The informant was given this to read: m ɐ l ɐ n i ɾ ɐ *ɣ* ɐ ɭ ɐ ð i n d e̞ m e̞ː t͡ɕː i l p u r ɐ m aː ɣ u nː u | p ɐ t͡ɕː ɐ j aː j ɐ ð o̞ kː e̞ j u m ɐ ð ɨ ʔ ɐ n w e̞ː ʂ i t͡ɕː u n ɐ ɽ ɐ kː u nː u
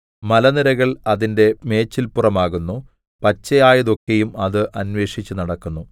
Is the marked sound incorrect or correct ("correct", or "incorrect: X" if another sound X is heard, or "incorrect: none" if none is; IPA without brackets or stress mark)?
correct